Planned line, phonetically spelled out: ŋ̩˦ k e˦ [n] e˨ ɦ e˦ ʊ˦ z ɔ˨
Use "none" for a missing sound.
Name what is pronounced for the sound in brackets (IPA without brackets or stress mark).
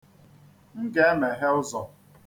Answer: m